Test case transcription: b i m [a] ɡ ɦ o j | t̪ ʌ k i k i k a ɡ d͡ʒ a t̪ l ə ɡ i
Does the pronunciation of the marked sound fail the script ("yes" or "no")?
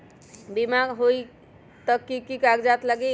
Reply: no